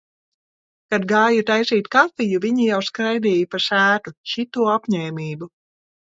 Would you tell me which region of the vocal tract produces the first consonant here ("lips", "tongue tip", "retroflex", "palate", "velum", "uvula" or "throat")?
velum